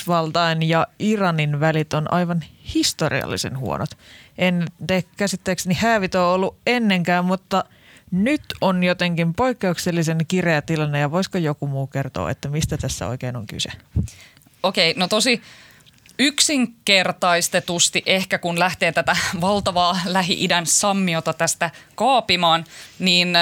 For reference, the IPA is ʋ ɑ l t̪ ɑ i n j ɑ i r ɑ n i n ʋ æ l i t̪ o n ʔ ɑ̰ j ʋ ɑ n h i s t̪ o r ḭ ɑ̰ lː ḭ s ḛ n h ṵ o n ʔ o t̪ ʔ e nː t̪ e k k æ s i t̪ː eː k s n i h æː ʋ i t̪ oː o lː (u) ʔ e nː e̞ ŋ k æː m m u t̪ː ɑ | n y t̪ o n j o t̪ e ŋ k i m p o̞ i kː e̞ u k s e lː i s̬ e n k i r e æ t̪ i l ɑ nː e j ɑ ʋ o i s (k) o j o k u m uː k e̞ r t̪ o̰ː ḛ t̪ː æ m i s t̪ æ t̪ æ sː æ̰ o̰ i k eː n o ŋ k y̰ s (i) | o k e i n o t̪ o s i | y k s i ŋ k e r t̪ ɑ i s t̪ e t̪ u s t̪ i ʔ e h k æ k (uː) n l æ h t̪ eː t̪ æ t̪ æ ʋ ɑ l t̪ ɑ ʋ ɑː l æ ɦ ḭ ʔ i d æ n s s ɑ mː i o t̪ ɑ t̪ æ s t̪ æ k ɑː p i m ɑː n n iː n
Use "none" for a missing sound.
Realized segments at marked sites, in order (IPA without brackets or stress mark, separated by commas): u, k, e, u